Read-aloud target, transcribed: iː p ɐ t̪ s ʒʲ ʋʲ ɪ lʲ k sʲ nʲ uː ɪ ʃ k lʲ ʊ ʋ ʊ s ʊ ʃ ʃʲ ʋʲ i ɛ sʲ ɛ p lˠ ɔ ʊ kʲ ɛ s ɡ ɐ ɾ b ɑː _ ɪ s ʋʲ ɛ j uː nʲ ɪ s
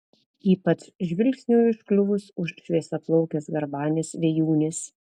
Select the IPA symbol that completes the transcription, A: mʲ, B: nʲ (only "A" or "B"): B